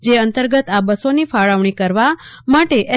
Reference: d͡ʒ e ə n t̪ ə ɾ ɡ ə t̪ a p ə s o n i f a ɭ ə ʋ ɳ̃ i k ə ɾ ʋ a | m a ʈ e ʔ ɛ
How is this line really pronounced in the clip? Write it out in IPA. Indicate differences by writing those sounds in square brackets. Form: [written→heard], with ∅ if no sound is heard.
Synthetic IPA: d͡ʒ e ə n t̪ ə ɾ ɡ ə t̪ a [p→b] ə s o n i f a ɭ ə ʋ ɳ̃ i k ə ɾ ʋ a | m a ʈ e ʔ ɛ

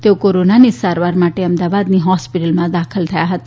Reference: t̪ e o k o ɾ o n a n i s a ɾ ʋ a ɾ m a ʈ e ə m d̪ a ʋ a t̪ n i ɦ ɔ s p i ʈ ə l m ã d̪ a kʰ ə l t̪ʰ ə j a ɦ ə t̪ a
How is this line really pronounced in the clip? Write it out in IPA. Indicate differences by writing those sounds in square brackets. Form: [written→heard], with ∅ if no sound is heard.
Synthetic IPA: t̪ e o k o ɾ o n a n i s a ɾ ʋ a ɾ m a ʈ e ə m d̪ a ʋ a [t̪→d̪] n i ɦ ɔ s p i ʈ ə l m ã d̪ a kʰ ə l t̪ʰ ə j a ɦ ə t̪ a

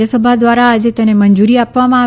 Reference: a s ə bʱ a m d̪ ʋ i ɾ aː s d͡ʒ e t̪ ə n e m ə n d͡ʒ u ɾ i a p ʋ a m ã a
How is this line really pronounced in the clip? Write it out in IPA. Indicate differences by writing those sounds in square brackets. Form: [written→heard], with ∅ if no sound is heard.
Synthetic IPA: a s ə bʱ a [m→∅] d̪ ʋ [i→a] ɾ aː [s→∅] d͡ʒ e t̪ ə n e m ə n d͡ʒ u ɾ i a p ʋ a m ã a

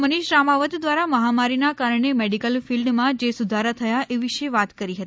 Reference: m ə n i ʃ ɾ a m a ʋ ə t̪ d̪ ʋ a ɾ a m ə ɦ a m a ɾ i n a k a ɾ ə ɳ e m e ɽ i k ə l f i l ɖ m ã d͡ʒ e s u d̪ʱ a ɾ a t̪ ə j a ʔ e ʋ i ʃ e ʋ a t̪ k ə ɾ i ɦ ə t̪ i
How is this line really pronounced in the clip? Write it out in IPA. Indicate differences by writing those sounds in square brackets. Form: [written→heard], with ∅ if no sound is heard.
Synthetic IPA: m ə n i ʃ ɾ a m a ʋ ə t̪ d̪ ʋ a ɾ a m ə ɦ a m a ɾ i n a k a ɾ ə ɳ e m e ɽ i k ə l f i l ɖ m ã d͡ʒ e s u d̪ʱ a ɾ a [t̪→t̪ʰ] ə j a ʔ e ʋ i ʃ e ʋ a t̪ k ə ɾ i ɦ ə t̪ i

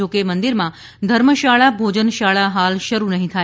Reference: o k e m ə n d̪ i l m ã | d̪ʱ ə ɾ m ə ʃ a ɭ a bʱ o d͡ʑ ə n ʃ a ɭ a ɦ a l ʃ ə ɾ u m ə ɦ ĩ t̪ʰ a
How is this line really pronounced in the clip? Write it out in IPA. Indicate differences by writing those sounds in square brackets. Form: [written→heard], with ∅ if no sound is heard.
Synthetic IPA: o k e m ə n d̪ i [l→ɾ] m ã | d̪ʱ ə ɾ m ə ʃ a ɭ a bʱ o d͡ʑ ə n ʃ a ɭ a ɦ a l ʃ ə ɾ u [m→n] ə ɦ ĩ t̪ʰ a

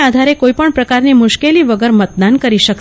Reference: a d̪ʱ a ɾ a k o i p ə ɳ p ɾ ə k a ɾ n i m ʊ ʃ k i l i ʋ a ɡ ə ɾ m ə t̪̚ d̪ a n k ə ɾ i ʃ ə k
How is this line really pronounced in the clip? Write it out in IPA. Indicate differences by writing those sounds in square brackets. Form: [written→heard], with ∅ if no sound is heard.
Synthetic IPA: a d̪ʱ a ɾ [a→e] k o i p ə ɳ p ɾ ə k a ɾ n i m ʊ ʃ k [i→e] l i ʋ [a→ə] ɡ ə ɾ m ə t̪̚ d̪ a n k ə ɾ i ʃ ə k

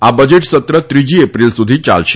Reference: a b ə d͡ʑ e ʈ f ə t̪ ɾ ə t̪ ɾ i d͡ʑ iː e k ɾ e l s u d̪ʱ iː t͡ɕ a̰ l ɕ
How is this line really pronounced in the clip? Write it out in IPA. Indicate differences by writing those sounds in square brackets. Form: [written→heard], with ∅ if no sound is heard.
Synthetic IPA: a b ə d͡ʑ e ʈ [f→s] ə t̪ ɾ ə t̪ ɾ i d͡ʑ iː e [k→p] ɾ [e→i] l s u d̪ʱ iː t͡ɕ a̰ l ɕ

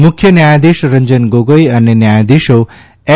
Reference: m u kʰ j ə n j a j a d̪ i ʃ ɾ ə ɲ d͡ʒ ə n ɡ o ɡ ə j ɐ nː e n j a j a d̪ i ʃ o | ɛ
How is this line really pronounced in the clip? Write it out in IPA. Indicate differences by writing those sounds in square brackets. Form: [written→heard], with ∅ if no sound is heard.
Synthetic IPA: m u kʰ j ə n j a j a d̪ i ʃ ɾ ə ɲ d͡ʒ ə n ɡ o ɡ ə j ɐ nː e n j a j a d̪ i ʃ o | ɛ

